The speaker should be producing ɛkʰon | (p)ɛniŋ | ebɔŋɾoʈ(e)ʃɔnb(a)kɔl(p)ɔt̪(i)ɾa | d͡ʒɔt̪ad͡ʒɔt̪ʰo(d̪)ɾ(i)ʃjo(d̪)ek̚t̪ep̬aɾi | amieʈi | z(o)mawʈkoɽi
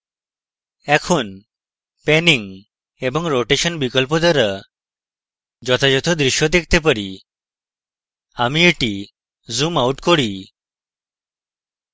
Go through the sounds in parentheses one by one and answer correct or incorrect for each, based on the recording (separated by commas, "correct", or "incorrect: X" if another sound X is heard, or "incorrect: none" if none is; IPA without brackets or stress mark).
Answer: correct, correct, incorrect: i, correct, incorrect: a, correct, correct, correct, incorrect: u